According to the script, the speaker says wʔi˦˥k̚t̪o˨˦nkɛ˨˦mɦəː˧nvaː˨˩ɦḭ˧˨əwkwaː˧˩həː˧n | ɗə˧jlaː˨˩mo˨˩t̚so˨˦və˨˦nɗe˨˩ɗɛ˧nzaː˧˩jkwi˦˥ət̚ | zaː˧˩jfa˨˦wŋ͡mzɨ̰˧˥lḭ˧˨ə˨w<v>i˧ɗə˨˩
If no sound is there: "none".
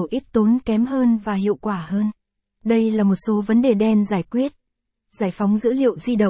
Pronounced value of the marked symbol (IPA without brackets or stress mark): z